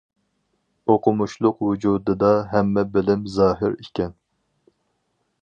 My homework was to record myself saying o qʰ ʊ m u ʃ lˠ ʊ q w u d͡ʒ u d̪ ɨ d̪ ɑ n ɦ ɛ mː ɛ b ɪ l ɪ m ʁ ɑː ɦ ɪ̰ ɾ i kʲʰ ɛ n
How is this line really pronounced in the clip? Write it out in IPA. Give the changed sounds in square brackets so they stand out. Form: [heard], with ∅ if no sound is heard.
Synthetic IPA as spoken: o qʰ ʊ m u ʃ lˠ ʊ q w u d͡ʒ u d̪ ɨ d̪ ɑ [∅] ɦ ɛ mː ɛ b ɪ l ɪ m [z] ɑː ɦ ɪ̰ ɾ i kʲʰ ɛ n